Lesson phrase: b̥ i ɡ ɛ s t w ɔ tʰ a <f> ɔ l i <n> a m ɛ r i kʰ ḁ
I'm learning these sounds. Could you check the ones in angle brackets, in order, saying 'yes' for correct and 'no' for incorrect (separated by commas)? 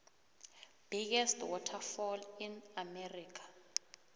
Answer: yes, yes